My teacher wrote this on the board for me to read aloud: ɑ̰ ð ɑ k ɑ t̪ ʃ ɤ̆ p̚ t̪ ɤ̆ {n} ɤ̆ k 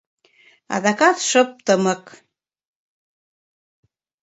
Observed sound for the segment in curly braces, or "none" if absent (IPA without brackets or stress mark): m